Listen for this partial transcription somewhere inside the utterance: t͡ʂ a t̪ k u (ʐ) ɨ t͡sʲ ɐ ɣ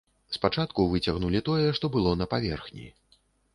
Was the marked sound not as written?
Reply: yes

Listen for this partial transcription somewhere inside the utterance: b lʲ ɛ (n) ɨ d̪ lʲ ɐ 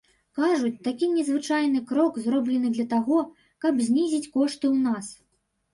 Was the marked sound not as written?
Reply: no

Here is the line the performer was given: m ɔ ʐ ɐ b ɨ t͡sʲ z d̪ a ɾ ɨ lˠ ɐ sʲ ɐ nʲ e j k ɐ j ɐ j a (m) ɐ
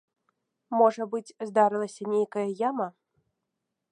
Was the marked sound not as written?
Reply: no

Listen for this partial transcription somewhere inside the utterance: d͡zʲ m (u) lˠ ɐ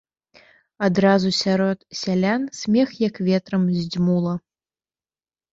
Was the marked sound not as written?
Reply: no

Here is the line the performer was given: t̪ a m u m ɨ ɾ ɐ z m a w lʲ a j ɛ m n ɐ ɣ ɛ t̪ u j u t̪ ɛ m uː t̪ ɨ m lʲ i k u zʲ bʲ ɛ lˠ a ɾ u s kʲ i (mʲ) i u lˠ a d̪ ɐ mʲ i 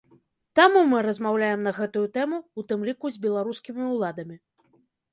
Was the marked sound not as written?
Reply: no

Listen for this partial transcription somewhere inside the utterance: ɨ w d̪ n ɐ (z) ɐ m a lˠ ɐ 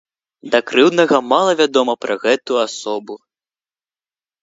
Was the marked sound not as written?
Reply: yes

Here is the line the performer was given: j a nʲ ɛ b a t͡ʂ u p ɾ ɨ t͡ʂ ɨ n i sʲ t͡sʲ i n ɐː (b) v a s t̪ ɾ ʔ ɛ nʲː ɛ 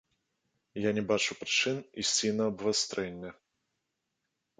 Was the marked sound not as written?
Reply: no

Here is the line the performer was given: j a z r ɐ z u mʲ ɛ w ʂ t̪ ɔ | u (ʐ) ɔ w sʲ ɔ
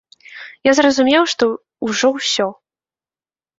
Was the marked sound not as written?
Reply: no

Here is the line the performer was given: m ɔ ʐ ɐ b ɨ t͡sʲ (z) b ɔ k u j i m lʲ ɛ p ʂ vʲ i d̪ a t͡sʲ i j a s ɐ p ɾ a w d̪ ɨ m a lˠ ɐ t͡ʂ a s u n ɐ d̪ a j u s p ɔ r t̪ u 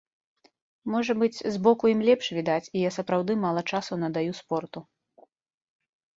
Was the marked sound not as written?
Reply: no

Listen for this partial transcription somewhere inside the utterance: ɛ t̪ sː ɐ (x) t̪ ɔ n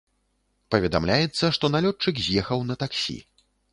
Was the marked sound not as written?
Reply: yes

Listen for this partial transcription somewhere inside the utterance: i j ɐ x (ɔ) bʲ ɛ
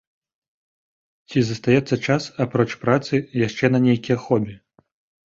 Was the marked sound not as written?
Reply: no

